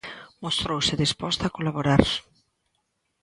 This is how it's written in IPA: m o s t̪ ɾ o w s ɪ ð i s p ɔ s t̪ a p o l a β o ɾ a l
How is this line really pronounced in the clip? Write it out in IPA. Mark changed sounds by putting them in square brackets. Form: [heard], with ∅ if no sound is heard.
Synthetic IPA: m o s t̪ ɾ o w s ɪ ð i s p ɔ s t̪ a [k] o l a β o ɾ a [ɾ]